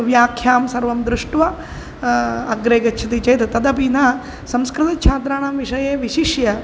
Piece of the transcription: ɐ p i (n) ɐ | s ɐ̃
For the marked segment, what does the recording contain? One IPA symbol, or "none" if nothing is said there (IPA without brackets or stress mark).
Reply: n